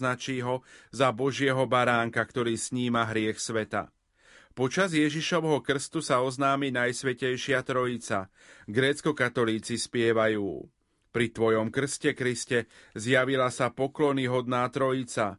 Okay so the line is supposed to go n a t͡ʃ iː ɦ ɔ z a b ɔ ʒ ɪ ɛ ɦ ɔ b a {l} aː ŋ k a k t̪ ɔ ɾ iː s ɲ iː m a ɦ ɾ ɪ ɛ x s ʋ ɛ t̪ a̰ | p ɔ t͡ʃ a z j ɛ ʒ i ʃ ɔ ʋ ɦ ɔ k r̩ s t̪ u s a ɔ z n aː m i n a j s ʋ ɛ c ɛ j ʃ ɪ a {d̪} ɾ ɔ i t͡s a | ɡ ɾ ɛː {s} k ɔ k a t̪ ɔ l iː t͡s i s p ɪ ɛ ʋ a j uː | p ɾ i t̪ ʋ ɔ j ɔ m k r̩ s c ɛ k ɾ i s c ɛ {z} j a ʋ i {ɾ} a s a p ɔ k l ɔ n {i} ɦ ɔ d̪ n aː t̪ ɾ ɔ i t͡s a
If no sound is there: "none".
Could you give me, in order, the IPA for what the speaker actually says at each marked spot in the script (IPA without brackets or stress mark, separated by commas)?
ɾ, t̪, t͡s, z, l, i